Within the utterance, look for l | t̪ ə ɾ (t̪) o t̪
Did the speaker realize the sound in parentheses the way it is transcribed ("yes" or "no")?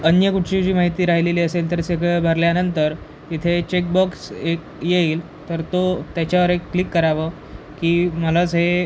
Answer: yes